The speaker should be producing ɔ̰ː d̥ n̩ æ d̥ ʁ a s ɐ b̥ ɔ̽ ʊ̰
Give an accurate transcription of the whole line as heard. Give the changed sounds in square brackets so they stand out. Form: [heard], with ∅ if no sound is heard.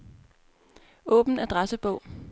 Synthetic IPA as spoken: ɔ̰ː [b̥] n̩ æ d̥ ʁ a s [ə] b̥ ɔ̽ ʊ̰